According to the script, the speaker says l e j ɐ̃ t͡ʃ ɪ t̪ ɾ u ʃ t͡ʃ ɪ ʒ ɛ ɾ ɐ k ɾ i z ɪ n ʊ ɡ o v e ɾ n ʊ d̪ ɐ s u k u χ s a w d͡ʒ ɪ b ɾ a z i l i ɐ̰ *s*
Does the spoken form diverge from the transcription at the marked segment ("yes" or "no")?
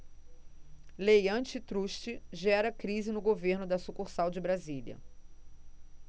yes